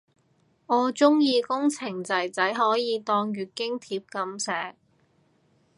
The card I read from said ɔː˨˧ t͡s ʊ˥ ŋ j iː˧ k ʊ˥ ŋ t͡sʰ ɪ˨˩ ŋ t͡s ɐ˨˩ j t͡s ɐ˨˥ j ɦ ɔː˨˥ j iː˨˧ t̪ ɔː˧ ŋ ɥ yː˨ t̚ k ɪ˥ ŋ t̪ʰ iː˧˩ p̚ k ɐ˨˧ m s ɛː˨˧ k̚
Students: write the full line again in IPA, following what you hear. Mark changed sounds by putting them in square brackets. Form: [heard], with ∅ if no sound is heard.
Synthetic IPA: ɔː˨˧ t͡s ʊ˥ ŋ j iː˧ k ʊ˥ ŋ t͡sʰ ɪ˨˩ ŋ t͡s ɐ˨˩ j t͡s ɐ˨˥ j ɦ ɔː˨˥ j iː˨˧ t̪ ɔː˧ ŋ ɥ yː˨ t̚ k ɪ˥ ŋ t̪ʰ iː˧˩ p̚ k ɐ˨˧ m s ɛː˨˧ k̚